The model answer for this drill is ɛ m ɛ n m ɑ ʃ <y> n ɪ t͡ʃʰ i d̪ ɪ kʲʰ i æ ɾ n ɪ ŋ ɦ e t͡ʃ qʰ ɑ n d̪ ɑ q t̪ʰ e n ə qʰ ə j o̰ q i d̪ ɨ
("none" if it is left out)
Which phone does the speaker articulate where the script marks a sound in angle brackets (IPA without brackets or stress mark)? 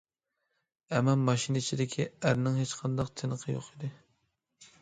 i